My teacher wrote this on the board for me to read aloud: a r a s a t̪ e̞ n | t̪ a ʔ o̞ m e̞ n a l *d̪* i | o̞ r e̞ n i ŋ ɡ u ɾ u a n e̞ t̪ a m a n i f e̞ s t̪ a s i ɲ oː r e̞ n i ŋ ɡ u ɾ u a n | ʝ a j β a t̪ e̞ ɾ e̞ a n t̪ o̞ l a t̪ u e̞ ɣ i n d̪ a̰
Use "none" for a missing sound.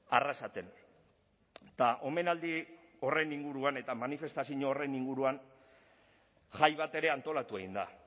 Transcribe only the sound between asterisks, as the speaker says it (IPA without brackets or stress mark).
d̪